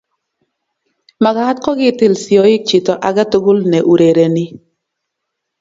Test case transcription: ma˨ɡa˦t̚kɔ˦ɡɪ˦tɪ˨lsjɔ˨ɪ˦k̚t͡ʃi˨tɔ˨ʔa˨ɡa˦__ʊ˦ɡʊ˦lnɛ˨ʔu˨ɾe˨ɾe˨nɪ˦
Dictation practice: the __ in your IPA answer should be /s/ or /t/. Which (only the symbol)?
t